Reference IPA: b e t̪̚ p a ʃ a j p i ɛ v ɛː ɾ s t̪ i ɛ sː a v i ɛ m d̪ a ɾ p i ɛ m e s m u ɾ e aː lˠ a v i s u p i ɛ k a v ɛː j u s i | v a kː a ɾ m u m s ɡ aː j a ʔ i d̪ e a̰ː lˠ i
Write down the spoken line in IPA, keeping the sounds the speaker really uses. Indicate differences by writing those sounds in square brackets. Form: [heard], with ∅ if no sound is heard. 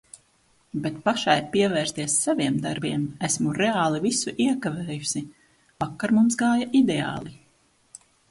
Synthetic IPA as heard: b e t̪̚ p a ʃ a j p i ɛ v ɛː ɾ s t̪ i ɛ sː a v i ɛ m d̪ a ɾ [b] i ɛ m [æ] s m u ɾ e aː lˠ [i] v i s u [ʔ] i ɛ k a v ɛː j u s i | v a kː a ɾ m u m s ɡ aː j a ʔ i d̪ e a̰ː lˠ i